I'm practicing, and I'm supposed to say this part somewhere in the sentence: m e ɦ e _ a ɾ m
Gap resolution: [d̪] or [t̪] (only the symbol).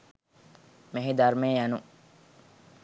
d̪